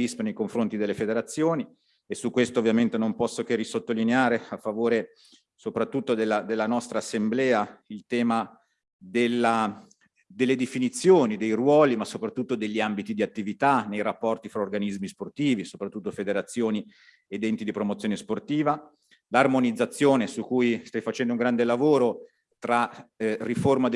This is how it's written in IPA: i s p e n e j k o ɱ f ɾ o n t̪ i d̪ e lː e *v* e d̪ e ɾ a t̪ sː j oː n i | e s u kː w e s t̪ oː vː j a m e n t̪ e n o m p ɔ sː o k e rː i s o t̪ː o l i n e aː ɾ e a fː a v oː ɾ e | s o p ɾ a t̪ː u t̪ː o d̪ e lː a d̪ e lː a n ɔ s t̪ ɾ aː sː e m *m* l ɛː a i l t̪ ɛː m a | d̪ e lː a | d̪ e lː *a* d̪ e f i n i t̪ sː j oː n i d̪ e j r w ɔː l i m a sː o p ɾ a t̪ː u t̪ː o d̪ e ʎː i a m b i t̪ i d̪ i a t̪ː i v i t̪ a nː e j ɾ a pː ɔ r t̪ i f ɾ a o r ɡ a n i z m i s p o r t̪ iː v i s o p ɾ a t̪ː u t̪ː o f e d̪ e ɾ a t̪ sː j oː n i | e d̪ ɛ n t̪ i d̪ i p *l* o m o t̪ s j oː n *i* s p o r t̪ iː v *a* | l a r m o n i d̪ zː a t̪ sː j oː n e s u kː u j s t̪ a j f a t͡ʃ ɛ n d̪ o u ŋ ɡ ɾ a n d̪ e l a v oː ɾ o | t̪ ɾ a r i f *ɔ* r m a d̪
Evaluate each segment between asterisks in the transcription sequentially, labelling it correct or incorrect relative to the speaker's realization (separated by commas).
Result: incorrect, incorrect, incorrect, incorrect, incorrect, correct, incorrect